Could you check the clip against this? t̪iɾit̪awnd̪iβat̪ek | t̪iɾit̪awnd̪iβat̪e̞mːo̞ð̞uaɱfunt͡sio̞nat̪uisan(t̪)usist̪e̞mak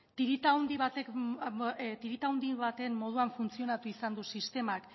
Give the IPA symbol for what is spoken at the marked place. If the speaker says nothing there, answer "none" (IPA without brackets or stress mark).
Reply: d̪